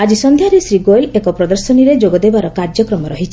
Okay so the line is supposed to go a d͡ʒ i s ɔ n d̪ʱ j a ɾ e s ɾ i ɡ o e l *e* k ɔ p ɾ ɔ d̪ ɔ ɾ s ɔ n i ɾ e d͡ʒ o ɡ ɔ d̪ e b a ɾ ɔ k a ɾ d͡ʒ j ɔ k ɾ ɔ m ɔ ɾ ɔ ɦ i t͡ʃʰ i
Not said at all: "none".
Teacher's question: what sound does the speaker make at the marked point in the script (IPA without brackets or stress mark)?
e